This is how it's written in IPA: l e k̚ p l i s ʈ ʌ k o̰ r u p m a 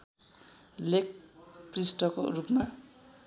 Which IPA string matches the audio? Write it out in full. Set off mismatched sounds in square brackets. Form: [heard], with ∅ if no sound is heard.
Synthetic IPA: l e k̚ p [r] i s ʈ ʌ k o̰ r u p m a